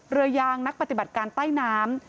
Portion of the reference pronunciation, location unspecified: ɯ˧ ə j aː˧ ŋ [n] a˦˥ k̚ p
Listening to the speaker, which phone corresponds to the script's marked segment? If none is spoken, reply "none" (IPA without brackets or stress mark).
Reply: n